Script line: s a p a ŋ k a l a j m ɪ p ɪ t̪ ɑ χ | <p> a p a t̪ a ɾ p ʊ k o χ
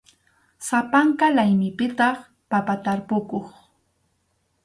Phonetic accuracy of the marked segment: correct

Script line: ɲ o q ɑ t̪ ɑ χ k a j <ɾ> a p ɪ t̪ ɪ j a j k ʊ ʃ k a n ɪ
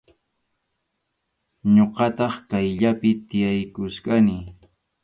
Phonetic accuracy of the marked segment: incorrect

